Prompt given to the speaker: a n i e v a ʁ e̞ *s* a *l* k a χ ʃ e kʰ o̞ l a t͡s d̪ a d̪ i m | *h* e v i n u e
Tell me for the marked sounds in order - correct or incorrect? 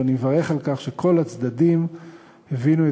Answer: incorrect: χ, correct, correct

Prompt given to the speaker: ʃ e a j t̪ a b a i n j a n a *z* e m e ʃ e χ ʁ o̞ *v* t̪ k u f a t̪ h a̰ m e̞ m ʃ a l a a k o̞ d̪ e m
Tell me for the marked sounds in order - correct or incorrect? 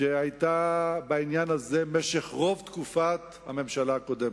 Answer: correct, correct

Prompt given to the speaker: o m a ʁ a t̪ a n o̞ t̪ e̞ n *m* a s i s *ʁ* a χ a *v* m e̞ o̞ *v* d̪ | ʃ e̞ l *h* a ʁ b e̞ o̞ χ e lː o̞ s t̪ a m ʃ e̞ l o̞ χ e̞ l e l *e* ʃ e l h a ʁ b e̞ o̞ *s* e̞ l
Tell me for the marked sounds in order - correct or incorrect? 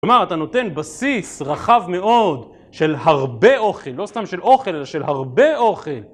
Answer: incorrect: b, correct, correct, incorrect: none, correct, incorrect: a, incorrect: χ

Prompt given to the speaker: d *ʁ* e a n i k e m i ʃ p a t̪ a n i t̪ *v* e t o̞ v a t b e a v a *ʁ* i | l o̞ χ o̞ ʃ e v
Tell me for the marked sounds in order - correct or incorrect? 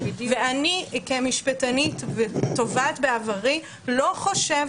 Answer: incorrect: v, correct, correct

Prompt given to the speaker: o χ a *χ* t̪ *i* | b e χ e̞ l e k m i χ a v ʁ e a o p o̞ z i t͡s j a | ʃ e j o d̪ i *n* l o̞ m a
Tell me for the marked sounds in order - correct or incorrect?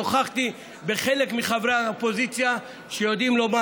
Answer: correct, correct, incorrect: m

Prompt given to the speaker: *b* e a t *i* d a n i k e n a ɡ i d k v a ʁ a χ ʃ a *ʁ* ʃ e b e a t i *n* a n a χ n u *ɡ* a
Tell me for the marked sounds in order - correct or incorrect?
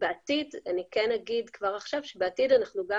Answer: correct, correct, incorrect: v, incorrect: d, correct

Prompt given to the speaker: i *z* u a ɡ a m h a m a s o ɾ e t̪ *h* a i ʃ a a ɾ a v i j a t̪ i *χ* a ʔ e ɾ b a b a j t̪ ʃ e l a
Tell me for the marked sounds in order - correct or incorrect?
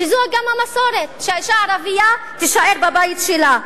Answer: correct, incorrect: ʃ, incorrect: ʃ

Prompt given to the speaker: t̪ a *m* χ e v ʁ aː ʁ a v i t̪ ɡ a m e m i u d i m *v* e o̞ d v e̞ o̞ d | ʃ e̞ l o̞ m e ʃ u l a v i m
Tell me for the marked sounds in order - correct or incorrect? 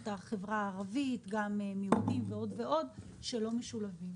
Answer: incorrect: none, correct

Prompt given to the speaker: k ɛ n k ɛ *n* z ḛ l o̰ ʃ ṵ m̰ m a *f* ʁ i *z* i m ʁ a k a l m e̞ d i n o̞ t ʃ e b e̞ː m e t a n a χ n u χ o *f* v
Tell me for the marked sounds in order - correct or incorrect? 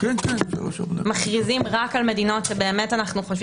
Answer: correct, incorrect: χ, correct, incorrect: ʃ

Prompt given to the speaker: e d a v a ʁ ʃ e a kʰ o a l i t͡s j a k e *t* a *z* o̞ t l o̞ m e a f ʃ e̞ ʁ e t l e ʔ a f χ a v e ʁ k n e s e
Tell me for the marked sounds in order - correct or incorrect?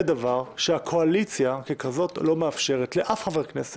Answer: incorrect: k, correct

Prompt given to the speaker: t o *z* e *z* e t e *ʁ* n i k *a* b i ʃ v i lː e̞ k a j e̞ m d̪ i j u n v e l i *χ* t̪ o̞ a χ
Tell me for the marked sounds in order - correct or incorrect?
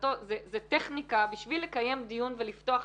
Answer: correct, correct, incorrect: χ, correct, incorrect: f

